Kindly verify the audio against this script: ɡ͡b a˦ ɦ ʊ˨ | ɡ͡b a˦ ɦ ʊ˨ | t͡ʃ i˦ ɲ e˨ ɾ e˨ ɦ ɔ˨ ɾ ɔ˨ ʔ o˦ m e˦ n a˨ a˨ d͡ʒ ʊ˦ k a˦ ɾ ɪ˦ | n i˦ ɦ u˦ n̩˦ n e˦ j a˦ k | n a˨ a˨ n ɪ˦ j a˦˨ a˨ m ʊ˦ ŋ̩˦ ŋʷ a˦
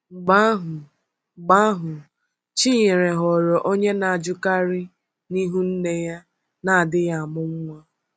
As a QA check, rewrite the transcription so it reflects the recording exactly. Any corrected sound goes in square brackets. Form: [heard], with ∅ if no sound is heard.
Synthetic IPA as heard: ɡ͡b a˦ ɦ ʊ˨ | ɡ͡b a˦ ɦ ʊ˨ | t͡ʃ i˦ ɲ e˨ ɾ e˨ ɦ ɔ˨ ɾ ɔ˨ ʔ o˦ [ɲ] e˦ n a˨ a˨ d͡ʒ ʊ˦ k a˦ ɾ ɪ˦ | n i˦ ɦ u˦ n̩˦ n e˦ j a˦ [∅] | n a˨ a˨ [d] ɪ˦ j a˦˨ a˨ m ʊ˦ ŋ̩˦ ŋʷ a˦